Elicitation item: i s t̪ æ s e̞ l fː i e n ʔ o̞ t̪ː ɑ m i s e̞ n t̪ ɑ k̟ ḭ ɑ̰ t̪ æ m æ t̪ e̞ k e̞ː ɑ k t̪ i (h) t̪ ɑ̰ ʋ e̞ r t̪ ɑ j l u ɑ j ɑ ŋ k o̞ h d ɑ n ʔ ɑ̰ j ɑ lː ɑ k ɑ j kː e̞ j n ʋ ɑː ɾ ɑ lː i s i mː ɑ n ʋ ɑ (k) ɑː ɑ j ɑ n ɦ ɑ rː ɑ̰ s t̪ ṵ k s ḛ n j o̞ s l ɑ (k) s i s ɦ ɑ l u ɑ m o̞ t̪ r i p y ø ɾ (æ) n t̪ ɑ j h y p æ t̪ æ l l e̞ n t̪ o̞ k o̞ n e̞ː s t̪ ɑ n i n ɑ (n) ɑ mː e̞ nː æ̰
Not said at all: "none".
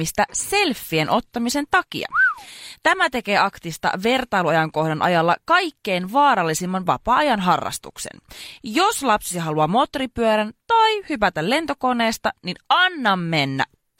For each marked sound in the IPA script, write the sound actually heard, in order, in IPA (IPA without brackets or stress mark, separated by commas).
s, p, p, æ, nː